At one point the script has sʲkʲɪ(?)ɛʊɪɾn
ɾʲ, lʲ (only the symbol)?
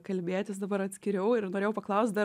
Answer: ɾʲ